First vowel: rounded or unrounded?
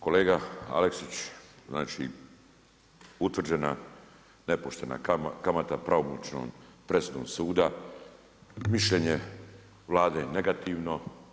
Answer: rounded